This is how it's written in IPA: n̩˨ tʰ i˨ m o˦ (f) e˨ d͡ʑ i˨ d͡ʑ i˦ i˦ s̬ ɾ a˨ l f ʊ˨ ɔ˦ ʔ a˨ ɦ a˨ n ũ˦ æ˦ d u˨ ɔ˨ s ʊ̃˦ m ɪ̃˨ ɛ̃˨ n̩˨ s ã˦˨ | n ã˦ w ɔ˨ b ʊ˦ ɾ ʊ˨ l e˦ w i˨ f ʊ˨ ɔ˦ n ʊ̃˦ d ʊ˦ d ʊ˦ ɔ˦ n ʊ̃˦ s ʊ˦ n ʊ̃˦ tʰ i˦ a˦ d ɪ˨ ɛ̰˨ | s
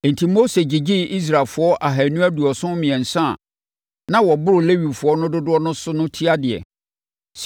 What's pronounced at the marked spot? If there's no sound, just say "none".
s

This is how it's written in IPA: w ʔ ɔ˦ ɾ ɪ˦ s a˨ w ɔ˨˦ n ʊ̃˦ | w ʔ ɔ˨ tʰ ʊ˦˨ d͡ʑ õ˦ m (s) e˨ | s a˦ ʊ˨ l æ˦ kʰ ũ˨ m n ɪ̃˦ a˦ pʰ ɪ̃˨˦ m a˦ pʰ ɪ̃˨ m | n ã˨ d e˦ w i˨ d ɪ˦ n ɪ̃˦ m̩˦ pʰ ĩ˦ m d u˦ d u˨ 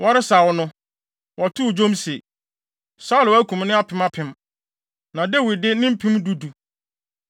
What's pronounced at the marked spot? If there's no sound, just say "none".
s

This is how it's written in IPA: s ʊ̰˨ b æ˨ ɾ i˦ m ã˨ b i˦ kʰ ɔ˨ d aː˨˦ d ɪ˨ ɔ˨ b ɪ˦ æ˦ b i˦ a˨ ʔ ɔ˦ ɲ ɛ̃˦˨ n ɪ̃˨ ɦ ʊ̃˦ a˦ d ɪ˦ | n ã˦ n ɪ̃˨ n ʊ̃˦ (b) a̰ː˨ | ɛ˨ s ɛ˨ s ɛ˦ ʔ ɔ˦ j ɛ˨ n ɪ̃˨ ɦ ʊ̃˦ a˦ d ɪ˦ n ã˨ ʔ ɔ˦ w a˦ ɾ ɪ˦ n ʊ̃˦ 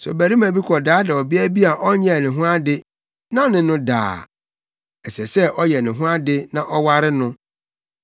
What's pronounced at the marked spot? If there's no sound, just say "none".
d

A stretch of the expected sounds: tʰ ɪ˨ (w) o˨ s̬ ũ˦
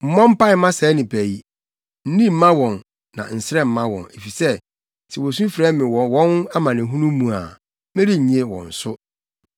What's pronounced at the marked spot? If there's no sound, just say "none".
w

